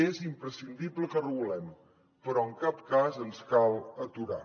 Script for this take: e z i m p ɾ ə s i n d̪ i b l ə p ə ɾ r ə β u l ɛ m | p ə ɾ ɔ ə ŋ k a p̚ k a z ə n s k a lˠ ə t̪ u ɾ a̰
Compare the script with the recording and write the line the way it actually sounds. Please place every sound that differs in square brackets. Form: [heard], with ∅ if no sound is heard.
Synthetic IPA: e z i m p ɾ ə s i n d̪ i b l ə [k] ə [∅] r ə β u l ɛ m | p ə ɾ ɔ ə ŋ k a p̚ k a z ə n s k a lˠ ə t̪ u ɾ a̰